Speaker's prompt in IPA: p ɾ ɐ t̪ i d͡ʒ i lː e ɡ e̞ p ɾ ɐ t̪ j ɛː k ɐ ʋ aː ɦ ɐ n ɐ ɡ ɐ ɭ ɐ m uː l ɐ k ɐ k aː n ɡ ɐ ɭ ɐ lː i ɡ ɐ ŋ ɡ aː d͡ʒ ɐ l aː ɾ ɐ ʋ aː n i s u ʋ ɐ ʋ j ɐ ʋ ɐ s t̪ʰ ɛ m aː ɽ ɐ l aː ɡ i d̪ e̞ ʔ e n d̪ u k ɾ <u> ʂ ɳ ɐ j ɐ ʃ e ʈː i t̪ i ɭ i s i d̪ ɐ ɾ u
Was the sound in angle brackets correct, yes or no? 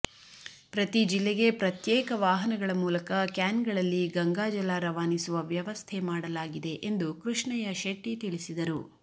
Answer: yes